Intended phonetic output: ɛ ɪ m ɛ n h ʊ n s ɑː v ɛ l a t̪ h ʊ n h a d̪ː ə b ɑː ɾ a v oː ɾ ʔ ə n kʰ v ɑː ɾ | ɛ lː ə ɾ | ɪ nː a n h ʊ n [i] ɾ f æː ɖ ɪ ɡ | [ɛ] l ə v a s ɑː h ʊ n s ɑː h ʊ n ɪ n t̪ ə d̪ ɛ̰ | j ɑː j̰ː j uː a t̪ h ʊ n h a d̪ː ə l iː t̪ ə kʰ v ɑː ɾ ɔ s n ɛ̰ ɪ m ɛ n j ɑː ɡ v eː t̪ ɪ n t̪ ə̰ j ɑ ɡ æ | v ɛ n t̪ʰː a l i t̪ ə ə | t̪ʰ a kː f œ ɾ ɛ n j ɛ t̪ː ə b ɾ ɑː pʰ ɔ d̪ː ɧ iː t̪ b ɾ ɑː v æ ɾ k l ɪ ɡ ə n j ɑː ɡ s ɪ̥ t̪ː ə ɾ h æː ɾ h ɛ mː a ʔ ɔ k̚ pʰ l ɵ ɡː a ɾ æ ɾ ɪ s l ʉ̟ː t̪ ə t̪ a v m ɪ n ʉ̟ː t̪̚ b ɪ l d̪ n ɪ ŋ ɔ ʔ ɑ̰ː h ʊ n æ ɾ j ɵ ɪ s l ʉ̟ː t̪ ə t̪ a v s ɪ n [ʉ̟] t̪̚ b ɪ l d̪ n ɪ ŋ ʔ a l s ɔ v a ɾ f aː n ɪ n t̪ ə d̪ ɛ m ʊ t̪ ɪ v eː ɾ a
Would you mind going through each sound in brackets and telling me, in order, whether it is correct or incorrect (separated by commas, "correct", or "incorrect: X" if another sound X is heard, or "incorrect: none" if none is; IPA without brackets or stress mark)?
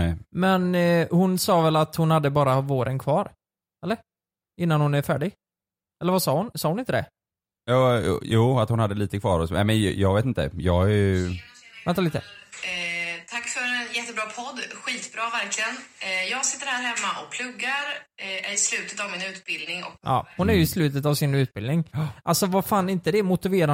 incorrect: æ, correct, correct